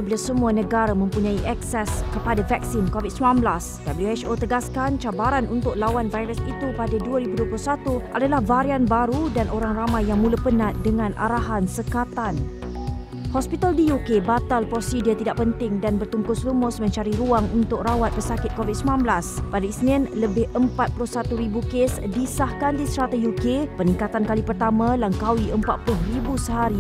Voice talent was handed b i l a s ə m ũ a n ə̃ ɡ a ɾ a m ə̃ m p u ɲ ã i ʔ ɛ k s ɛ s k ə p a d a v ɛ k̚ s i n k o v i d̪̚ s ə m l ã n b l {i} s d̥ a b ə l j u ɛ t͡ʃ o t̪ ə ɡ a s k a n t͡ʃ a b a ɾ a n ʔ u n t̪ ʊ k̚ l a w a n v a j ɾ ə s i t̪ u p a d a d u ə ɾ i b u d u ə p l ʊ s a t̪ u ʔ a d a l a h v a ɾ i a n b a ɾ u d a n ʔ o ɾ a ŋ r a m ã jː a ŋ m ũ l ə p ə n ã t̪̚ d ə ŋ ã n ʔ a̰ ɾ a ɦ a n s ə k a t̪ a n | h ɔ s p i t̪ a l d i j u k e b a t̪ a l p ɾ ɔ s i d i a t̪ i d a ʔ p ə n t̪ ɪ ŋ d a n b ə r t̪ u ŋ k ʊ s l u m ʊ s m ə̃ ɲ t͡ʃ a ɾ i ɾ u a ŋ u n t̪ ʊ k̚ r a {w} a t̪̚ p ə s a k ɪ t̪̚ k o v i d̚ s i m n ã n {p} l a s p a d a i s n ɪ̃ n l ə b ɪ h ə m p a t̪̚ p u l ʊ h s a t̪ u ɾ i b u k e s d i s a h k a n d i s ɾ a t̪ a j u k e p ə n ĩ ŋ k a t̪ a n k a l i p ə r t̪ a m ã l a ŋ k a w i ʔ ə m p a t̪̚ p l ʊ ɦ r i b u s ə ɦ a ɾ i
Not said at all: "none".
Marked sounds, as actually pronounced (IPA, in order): a, w, b

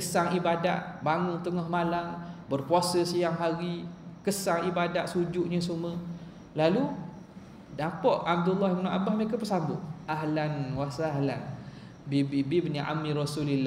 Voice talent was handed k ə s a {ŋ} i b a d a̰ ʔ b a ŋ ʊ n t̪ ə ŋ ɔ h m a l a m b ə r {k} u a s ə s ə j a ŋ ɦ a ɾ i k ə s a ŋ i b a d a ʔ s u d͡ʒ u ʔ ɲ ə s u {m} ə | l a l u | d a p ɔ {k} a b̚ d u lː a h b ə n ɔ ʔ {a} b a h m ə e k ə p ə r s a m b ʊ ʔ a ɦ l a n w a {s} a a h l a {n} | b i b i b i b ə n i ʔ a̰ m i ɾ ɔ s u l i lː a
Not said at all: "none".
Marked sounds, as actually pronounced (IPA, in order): ŋ, p, m, ʔ, a, s, n

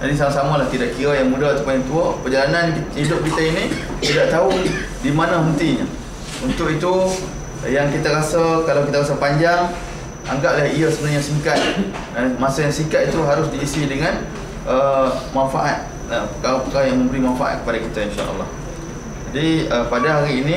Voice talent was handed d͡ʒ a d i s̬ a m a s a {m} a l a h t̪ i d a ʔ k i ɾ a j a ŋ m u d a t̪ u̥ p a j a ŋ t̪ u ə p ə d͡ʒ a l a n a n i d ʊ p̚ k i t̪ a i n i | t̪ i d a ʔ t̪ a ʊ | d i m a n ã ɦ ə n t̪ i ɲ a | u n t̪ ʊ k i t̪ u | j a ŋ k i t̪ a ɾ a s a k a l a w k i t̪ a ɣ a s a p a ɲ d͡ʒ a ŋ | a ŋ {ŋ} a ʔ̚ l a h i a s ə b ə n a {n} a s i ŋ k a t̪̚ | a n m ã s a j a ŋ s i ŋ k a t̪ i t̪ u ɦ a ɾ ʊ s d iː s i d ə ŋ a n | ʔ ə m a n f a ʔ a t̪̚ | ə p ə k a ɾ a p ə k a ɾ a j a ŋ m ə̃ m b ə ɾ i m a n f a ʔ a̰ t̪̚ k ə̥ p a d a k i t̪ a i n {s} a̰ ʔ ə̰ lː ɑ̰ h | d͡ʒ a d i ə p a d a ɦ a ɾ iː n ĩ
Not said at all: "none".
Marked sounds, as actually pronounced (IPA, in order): m, ɡ, ɲ, ʃ

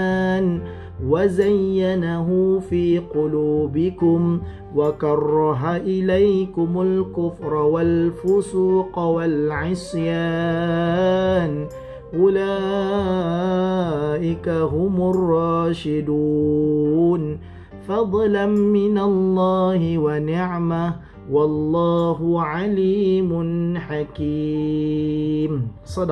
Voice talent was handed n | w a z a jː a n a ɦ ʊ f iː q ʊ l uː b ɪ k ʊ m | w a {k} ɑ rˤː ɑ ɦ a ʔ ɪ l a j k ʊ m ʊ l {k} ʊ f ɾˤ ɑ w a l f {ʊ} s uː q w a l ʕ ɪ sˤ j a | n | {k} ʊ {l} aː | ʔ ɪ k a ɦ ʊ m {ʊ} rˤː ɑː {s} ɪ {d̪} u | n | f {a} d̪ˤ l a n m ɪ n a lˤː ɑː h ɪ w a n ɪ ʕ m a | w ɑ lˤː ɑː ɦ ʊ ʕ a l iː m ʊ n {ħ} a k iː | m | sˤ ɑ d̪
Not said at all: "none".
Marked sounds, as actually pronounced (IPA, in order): k, k, ʊ, ʔ, l, ʊ, ʃ, d̪, ɑ, ħ

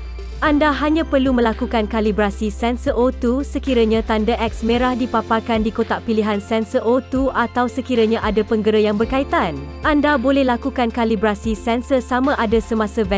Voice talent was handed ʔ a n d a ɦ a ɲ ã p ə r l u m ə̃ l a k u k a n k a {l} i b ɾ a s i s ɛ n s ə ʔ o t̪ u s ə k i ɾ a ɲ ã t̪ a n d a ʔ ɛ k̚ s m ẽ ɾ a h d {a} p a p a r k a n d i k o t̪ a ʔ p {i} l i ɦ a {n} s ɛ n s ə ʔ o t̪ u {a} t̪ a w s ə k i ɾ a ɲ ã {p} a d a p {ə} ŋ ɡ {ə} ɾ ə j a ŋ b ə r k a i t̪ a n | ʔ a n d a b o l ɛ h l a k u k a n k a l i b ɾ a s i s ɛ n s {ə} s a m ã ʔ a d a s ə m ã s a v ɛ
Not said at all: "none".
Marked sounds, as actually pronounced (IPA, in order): l, i, i, n, a, ʔ, ə, ə, ə

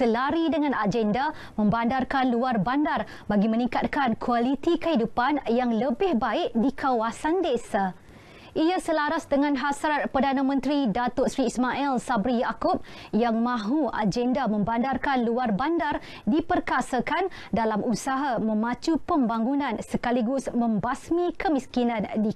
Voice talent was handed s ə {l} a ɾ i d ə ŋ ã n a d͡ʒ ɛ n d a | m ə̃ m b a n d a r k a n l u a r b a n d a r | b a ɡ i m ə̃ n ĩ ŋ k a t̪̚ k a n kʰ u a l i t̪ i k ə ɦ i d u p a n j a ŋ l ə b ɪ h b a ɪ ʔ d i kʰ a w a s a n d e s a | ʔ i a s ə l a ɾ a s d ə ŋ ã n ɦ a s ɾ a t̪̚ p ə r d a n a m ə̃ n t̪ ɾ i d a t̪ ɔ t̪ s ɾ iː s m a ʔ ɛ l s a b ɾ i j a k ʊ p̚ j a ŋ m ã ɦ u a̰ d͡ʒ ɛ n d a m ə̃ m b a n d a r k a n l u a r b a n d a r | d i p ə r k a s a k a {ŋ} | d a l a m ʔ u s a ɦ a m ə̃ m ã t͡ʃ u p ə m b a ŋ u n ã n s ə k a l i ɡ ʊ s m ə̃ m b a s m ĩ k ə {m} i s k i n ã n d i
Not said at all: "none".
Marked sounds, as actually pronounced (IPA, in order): l, n, m

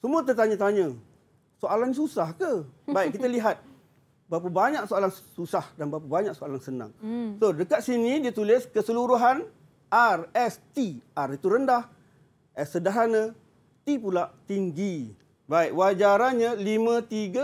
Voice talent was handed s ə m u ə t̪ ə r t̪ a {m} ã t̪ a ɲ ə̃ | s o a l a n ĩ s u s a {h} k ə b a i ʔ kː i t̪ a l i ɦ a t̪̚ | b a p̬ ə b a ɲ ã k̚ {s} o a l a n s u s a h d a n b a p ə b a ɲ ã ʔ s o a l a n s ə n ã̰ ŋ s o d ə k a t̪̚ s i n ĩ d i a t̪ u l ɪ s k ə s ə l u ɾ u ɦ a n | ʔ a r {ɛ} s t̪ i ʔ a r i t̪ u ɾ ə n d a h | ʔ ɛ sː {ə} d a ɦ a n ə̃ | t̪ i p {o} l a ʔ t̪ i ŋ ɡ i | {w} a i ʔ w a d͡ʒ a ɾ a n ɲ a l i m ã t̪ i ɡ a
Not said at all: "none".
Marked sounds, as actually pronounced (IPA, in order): ɲ, h, s, ɛ, ə, u, b

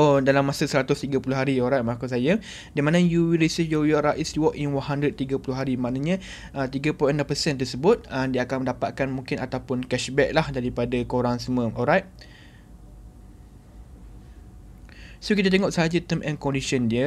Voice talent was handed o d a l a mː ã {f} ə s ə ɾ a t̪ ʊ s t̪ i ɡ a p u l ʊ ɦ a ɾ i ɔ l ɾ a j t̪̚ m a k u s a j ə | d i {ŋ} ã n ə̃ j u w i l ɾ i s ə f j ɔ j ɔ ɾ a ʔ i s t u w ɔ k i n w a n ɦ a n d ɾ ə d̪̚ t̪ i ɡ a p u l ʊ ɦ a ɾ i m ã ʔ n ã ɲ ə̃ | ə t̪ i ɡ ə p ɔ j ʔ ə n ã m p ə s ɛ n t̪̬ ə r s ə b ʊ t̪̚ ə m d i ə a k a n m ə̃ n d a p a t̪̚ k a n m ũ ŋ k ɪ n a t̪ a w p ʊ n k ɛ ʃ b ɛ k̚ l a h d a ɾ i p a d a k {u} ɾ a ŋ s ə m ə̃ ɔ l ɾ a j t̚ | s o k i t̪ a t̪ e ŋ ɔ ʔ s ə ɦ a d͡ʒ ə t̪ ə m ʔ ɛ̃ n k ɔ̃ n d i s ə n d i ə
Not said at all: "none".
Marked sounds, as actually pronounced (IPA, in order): s, m, o

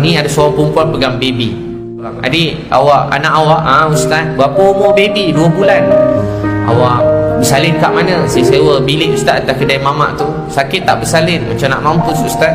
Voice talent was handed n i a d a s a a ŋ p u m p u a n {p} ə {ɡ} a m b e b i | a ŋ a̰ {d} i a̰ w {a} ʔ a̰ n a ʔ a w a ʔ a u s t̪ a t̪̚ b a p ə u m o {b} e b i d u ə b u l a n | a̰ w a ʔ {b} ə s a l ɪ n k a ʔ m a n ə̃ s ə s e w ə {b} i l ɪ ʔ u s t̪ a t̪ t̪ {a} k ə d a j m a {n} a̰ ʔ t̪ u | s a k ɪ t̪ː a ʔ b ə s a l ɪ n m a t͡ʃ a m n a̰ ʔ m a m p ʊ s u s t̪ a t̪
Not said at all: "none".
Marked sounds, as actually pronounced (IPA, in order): p, ɡ, d, a, b, b, b, a, m

